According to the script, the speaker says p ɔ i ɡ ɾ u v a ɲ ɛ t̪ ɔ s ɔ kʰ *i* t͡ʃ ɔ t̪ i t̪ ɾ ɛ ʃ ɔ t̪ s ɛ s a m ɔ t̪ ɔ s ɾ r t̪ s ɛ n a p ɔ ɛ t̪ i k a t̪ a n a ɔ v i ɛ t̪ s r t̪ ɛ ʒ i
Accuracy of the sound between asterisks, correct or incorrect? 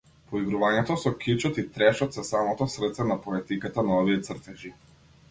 correct